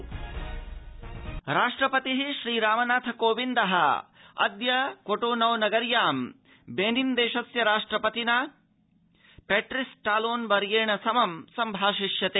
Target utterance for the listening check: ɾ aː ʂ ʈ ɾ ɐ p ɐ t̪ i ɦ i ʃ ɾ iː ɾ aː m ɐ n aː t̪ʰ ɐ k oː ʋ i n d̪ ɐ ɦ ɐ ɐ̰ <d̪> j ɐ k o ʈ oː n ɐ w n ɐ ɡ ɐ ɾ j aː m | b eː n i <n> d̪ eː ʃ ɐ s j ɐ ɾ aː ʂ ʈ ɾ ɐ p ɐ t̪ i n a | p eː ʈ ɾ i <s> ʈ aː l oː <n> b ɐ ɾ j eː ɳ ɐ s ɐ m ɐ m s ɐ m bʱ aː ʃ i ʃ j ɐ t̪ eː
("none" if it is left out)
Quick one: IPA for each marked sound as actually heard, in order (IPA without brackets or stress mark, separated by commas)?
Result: d̪, n, s, n